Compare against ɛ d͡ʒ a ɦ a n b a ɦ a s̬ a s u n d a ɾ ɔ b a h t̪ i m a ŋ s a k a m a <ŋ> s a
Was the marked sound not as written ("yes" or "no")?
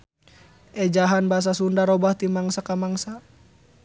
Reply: no